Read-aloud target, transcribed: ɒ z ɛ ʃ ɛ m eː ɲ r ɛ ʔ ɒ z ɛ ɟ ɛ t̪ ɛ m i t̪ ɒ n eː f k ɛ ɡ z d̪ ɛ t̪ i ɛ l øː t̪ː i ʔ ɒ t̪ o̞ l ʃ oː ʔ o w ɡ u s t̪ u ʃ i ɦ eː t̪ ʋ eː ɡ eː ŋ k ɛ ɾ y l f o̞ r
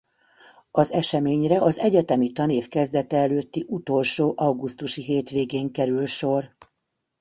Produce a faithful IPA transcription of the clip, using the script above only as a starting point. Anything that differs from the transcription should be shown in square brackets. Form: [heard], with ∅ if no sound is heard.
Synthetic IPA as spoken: ɒ z ɛ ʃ ɛ m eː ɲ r ɛ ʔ ɒ z ɛ ɟ ɛ t̪ ɛ m i t̪ ɒ n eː f k ɛ [∅] z d̪ ɛ t̪ [ɛ] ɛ l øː t̪ː i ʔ [u] t̪ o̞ l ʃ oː ʔ [ɒ] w ɡ u s t̪ u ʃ i ɦ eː t̪ ʋ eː ɡ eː ŋ k ɛ ɾ y l [ʃ] o̞ r